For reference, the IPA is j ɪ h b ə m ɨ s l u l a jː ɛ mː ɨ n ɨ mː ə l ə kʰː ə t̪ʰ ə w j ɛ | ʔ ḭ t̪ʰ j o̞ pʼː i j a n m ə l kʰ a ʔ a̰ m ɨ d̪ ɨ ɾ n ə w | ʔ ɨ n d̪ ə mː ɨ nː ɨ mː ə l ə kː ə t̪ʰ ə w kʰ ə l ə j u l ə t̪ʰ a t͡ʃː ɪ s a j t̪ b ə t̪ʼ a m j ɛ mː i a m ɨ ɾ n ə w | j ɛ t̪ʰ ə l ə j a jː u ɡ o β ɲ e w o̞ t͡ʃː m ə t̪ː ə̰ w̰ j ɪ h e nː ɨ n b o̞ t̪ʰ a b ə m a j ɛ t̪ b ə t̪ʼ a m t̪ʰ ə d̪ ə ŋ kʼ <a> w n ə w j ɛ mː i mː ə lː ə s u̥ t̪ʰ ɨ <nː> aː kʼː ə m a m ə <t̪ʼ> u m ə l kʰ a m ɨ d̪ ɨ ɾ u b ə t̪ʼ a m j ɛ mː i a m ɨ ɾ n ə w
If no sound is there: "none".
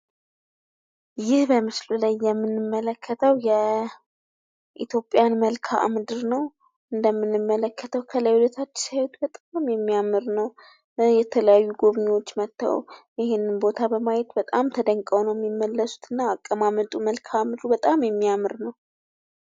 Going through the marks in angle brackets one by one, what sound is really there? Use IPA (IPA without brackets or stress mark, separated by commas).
ə, nː, t̪ʼ